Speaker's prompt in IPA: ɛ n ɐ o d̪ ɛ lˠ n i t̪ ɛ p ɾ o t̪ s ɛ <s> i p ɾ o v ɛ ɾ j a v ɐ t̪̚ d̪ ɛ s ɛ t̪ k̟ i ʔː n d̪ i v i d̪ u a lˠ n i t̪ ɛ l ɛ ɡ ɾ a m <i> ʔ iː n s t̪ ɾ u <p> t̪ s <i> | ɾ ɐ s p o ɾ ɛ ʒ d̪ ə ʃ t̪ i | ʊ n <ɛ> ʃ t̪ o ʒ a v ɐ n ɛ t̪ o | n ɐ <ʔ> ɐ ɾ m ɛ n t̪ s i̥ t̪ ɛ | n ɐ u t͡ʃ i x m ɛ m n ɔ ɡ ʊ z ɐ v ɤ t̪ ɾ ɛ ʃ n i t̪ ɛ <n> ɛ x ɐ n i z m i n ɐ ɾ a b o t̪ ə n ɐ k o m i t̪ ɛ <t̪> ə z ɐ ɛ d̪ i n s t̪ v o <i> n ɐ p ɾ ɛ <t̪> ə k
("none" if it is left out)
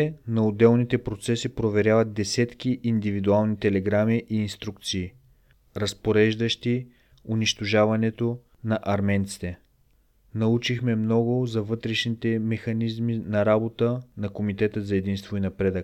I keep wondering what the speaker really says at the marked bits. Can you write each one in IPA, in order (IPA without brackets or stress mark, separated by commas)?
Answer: s, i, k, iː, i, ʔ, m, t̪, i, d̪